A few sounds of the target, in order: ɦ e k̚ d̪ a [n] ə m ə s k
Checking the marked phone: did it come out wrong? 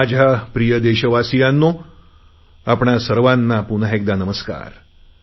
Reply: no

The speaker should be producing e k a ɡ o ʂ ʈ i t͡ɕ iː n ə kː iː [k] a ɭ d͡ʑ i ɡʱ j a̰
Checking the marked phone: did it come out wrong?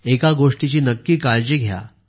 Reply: no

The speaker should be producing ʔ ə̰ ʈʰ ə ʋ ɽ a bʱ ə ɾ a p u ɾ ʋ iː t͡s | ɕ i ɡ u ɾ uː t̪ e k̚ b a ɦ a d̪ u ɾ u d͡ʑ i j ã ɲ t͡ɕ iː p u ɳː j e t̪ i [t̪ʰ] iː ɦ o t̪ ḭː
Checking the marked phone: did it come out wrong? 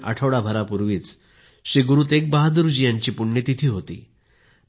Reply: no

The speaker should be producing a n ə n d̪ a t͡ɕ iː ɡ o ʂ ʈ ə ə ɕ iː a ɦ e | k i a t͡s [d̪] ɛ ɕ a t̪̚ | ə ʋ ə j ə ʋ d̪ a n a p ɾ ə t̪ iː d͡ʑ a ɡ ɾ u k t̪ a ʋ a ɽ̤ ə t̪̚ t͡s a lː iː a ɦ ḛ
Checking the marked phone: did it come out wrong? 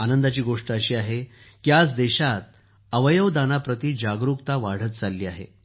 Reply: no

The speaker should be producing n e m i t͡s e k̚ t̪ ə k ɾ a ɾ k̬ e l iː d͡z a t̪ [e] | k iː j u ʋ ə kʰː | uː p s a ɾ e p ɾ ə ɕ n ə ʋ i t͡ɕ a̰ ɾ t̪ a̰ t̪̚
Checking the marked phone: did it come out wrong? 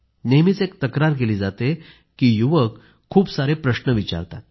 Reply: no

